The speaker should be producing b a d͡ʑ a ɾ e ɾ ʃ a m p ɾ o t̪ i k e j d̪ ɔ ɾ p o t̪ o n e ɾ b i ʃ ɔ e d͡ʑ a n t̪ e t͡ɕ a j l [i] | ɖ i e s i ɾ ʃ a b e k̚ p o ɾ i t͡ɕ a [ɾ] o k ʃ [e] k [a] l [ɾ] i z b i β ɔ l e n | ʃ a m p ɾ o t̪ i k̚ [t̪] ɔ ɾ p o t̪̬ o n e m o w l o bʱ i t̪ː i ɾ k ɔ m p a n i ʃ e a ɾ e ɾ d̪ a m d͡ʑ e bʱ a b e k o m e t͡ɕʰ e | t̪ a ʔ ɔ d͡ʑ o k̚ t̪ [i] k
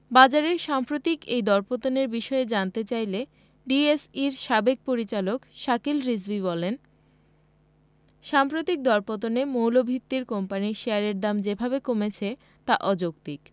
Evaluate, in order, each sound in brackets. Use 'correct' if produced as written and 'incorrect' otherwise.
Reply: incorrect, incorrect, incorrect, incorrect, correct, incorrect, correct

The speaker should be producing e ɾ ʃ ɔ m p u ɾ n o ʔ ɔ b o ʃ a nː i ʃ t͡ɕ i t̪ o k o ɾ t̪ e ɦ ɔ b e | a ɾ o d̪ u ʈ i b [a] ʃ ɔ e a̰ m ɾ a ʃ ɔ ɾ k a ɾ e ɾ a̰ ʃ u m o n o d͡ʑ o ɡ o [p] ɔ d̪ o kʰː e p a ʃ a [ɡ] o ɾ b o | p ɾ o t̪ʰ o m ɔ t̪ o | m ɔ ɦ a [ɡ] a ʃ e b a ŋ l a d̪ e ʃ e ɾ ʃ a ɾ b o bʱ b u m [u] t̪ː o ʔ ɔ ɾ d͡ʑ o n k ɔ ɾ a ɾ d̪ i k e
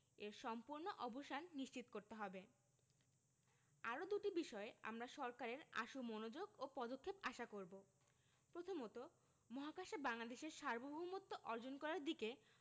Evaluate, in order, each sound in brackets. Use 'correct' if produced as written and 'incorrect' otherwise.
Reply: incorrect, correct, incorrect, incorrect, incorrect

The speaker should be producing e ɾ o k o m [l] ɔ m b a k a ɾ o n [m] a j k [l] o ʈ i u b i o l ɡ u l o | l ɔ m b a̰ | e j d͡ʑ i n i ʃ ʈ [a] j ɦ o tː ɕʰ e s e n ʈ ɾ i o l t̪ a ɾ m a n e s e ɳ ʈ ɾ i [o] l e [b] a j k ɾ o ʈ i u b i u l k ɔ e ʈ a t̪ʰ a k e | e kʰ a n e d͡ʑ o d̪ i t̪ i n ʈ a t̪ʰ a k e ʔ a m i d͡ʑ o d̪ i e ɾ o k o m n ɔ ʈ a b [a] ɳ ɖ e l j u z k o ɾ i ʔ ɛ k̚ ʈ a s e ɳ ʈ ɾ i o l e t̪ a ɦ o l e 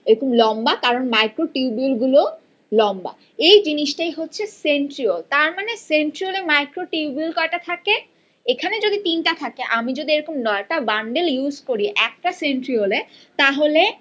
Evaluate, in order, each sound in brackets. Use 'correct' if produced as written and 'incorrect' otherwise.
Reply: correct, correct, incorrect, correct, correct, incorrect, correct

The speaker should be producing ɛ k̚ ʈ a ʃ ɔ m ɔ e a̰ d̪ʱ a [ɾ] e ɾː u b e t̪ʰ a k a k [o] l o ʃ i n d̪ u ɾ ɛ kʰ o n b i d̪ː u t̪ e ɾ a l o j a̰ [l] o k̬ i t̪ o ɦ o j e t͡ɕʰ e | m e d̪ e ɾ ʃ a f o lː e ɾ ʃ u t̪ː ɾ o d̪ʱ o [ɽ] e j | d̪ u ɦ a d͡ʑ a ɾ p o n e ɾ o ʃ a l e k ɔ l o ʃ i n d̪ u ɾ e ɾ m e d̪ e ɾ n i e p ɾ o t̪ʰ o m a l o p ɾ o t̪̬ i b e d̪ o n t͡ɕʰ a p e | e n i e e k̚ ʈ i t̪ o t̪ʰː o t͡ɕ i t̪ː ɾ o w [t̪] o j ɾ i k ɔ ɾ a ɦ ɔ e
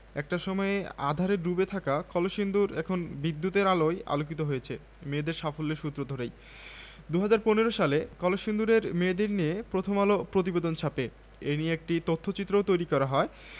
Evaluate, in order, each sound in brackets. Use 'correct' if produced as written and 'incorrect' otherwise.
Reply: correct, incorrect, correct, incorrect, correct

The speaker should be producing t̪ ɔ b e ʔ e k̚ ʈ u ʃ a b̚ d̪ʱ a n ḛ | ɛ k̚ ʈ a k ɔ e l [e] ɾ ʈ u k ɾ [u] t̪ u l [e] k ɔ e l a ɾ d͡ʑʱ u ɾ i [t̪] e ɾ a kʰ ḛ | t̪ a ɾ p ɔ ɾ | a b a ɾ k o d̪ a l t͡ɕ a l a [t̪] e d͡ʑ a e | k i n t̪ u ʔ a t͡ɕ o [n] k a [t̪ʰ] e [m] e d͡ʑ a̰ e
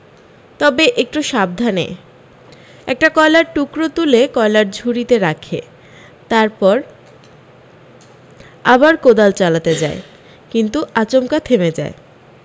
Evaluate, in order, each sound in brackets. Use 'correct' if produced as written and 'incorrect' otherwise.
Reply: incorrect, incorrect, correct, correct, correct, incorrect, correct, correct

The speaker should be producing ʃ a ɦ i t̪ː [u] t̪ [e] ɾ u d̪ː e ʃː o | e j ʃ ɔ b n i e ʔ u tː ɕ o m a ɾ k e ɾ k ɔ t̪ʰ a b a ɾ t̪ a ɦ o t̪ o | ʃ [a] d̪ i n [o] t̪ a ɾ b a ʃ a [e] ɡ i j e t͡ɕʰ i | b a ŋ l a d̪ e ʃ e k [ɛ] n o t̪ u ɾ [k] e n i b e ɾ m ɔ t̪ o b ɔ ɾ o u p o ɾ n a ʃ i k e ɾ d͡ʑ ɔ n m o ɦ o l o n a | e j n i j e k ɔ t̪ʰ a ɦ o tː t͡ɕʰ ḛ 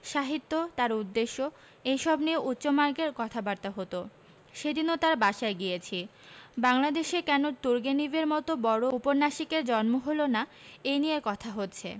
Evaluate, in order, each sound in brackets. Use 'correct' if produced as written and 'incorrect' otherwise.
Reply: incorrect, incorrect, incorrect, correct, correct, correct, incorrect

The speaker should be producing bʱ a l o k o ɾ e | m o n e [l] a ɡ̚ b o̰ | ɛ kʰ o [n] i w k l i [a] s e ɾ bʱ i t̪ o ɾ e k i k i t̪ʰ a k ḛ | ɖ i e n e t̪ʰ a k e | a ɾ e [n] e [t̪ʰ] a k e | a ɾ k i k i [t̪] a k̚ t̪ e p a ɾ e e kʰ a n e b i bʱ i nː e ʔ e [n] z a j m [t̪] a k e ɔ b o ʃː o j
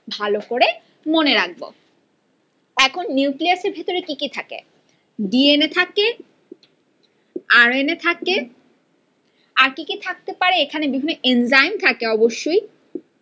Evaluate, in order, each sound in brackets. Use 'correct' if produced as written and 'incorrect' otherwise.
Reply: incorrect, incorrect, correct, correct, correct, incorrect, correct, incorrect

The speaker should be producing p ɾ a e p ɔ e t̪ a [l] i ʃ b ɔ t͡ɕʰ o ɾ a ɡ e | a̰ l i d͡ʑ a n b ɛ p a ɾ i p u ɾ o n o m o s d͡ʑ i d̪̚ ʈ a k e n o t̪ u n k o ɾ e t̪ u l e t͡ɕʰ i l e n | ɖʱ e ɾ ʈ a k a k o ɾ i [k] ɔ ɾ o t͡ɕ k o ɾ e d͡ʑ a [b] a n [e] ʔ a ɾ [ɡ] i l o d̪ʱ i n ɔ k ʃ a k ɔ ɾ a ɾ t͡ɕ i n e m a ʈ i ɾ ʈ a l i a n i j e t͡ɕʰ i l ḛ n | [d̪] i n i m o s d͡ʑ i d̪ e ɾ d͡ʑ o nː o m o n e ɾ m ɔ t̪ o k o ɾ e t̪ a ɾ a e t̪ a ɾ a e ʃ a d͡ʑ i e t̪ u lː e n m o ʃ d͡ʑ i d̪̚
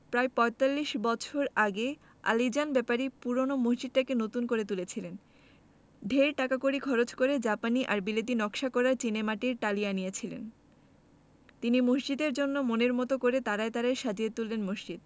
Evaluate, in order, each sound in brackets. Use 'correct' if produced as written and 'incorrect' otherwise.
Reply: incorrect, incorrect, incorrect, incorrect, incorrect, incorrect

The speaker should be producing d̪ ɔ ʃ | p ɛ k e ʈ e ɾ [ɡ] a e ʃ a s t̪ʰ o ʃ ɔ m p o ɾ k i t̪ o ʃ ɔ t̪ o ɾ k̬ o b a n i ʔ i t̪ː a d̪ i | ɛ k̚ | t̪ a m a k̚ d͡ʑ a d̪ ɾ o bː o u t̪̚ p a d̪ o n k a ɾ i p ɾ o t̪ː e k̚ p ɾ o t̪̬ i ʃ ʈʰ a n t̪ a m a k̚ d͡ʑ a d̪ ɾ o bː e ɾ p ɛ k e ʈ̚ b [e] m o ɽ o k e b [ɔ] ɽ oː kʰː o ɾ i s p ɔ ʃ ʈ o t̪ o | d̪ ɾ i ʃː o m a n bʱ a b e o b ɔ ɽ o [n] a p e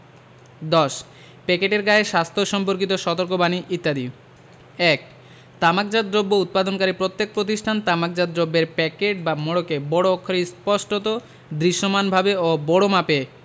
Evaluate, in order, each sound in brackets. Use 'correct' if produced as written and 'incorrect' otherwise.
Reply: correct, incorrect, correct, incorrect

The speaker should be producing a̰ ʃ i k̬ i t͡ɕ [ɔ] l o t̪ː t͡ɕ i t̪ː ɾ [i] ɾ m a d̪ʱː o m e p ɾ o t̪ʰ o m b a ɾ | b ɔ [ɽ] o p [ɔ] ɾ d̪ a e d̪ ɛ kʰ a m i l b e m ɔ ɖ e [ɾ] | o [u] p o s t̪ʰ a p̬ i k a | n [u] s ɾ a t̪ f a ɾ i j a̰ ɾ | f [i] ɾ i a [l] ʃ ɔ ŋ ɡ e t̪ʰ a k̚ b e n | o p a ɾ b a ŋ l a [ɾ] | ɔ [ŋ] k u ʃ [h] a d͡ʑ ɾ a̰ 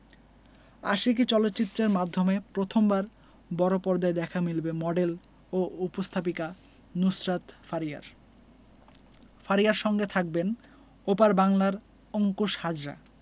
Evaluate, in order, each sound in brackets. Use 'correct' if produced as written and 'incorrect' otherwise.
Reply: correct, incorrect, incorrect, correct, incorrect, correct, correct, incorrect, incorrect, correct, correct, correct

